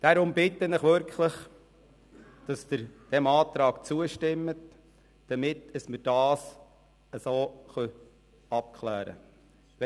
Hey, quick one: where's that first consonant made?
tongue tip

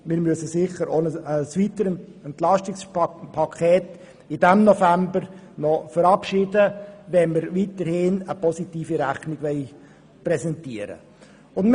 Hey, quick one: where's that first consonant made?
lips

